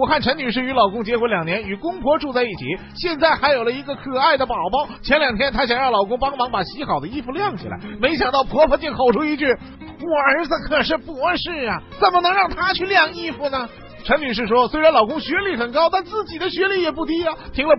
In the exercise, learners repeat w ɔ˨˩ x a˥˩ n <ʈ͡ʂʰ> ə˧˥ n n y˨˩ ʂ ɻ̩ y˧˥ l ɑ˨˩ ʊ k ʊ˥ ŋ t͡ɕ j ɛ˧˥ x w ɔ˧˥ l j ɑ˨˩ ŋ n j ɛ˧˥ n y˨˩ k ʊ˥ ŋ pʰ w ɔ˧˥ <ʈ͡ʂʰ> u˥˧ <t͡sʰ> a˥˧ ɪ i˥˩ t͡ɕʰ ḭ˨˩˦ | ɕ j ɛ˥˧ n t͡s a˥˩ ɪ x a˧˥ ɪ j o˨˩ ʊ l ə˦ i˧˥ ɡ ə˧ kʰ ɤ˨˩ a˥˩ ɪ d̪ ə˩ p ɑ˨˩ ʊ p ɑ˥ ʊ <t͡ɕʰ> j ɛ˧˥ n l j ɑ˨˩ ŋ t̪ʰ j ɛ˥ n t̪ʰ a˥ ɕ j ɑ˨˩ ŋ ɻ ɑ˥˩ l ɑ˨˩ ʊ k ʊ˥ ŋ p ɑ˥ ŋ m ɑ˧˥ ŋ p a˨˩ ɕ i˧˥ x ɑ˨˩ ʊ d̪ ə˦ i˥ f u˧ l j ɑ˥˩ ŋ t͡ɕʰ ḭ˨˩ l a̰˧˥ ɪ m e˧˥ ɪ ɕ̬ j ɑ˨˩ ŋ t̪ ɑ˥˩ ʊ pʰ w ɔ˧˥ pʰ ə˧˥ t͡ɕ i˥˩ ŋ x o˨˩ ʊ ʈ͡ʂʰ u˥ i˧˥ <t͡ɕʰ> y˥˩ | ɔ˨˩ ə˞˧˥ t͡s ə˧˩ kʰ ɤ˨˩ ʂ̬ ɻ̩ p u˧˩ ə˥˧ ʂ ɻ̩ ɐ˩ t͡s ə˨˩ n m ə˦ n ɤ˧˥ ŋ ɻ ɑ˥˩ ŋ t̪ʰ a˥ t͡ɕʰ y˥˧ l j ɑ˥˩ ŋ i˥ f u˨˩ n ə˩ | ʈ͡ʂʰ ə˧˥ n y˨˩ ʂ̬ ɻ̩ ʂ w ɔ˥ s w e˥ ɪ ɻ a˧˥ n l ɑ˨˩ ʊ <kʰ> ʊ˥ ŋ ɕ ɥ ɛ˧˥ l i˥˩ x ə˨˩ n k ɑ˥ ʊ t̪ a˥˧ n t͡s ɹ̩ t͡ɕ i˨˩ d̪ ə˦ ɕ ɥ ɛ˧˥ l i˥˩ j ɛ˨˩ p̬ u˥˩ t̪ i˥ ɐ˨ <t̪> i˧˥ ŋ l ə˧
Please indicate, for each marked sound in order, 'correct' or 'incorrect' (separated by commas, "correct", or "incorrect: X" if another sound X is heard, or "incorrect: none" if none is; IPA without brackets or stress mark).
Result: correct, incorrect: ʈ͡ʂ, incorrect: t͡s, correct, incorrect: t͡ɕ, incorrect: k, incorrect: t̪ʰ